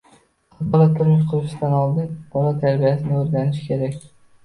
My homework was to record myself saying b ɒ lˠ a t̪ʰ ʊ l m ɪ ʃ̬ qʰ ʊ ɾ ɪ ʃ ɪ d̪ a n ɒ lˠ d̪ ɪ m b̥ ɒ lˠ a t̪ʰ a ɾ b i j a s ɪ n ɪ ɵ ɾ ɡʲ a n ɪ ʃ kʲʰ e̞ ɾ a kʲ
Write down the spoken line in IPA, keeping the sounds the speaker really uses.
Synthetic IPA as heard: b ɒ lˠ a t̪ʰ ʊ ɾ m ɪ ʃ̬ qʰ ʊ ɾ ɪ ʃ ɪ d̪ a n ɒ lˠ d̪ ɪ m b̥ ɒ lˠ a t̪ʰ a ɾ b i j a s ɪ n ɪ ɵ ɾ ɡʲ a n ɪ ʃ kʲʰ e̞ ɾ a kʲ